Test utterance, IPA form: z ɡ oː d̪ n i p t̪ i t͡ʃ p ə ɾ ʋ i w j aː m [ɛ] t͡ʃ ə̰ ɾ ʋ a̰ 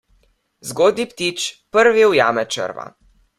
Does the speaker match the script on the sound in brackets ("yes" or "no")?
yes